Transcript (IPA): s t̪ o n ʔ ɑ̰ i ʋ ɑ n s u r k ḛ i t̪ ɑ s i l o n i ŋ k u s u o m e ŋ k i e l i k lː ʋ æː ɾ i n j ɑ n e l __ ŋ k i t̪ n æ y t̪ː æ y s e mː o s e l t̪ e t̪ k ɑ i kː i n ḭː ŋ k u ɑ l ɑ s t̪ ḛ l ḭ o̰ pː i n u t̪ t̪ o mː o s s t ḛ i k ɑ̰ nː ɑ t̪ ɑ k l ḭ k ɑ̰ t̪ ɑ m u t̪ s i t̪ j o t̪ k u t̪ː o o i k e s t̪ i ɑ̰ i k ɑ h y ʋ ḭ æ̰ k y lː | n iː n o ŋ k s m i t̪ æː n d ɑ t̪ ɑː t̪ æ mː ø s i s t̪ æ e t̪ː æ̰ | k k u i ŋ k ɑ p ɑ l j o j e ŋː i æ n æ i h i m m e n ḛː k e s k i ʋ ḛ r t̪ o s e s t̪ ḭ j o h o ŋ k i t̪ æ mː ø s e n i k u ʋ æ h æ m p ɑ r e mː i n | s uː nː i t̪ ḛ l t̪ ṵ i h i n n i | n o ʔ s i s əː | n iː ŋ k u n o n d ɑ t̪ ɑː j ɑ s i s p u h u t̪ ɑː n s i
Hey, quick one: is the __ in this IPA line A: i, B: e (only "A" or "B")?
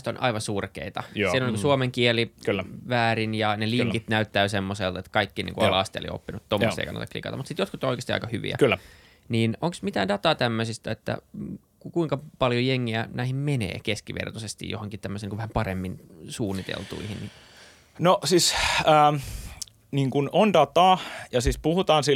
A